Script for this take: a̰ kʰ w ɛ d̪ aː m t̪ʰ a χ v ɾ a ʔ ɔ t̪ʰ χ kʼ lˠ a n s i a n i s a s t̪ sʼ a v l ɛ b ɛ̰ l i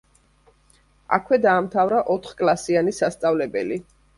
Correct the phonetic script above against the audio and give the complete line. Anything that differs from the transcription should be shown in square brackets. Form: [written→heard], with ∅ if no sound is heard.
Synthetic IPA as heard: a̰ kʰ w ɛ d̪ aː m t̪ʰ a [χ→∅] v ɾ a ʔ ɔ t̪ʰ χ kʼ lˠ a [n→∅] s i a n i s a s t̪ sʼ a v l ɛ b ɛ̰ l i

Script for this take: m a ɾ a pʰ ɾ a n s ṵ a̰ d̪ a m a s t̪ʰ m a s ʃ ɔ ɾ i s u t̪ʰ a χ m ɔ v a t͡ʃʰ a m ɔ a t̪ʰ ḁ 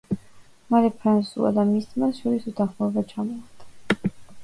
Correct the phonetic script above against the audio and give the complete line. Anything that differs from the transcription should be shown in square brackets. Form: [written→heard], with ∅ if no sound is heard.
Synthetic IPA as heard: m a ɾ [a→ɛ] pʰ ɾ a n s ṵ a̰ d̪ a m [a→i] s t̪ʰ m a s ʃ ɔ ɾ i s u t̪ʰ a χ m ɔ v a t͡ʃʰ a m ɔ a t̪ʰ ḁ

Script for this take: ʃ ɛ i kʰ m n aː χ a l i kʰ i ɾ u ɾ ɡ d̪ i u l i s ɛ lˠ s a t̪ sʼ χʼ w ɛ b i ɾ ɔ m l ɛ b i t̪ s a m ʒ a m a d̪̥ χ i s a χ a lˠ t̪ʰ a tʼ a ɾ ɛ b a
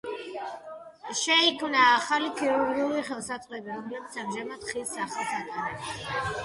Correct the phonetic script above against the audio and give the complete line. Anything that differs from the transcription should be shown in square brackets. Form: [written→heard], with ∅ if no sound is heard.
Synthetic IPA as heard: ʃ ɛ i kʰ m n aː χ a l i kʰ i ɾ u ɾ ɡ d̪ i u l i [s→χ] ɛ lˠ s a t̪ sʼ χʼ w ɛ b i ɾ ɔ m l ɛ b i t̪ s a m ʒ a m a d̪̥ χ i s a χ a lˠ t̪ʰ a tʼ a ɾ ɛ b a

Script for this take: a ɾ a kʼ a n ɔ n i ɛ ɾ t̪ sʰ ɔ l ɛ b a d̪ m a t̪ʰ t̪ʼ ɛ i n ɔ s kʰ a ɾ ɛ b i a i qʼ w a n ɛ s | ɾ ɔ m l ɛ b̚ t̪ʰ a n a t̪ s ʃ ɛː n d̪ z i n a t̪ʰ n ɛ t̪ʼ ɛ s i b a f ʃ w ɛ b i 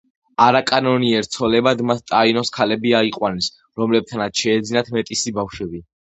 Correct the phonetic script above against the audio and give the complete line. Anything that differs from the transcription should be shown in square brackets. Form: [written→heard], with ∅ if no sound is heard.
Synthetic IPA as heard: a ɾ a kʼ a n ɔ n i ɛ ɾ t̪ sʰ ɔ l ɛ b a d̪ m a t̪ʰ t̪ʼ [ɛ→a] i n ɔ s kʰ a [ɾ→l] ɛ b i a i qʼ w a n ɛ s | ɾ ɔ m l ɛ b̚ t̪ʰ a n a t̪ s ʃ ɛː [n→∅] d̪ z i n a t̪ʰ [n→m] ɛ t̪ʼ [ɛ→i] s i b a f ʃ w ɛ b i

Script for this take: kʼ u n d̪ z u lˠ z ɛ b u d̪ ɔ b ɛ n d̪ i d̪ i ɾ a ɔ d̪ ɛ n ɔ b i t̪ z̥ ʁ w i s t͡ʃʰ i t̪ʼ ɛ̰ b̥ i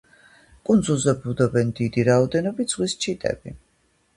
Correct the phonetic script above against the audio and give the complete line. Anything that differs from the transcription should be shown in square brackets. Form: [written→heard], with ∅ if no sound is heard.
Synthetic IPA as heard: kʼ u n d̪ z u lˠ z ɛ b u d̪ ɔ b ɛ n d̪ i d̪ i ɾ a ɔ d̪ ɛ n ɔ b i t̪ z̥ ʁ w i s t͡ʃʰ i t̪ʼ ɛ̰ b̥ i

